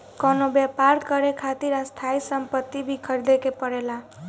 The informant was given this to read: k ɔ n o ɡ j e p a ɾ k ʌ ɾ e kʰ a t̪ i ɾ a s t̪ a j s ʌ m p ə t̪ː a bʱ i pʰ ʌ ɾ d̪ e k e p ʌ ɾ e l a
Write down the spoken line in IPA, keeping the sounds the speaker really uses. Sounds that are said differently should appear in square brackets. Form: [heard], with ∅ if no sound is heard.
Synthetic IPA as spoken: k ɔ n o [b] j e p a ɾ k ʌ ɾ e kʰ a t̪ i ɾ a s [t̪ʰ] a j s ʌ m p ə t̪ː [i] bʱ i [kʰ] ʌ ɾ d̪ e k e p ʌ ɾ e l a